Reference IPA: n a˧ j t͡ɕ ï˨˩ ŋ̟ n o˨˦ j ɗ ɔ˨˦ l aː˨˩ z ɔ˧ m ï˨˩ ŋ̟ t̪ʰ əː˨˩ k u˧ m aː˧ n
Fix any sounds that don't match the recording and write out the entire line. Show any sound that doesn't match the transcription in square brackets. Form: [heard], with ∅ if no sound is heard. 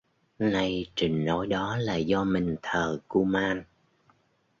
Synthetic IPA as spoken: n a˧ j t͡ɕ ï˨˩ ŋ̟ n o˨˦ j ɗ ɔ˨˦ l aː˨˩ z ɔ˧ m ï˨˩ ŋ̟ t̪ʰ əː˨˩ k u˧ m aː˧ n